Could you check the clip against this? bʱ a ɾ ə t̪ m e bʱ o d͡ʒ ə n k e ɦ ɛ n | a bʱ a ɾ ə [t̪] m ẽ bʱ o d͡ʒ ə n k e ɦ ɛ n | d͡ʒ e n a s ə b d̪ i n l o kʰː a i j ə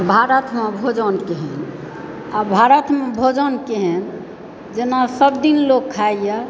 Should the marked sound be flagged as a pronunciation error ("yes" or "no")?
no